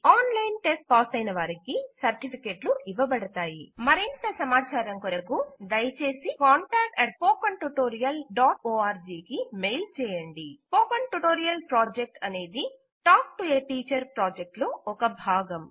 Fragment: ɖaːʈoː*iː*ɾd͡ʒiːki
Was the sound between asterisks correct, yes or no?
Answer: no